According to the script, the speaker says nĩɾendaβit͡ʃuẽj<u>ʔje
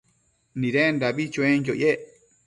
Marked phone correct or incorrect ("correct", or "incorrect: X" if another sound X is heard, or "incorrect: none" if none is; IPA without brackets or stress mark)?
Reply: incorrect: o